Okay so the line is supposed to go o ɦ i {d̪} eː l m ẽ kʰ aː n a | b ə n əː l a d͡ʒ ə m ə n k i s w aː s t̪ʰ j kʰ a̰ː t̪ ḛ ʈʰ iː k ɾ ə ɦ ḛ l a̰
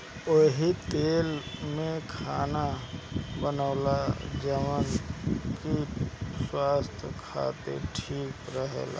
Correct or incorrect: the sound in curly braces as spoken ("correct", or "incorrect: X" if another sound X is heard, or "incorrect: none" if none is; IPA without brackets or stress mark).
incorrect: t̪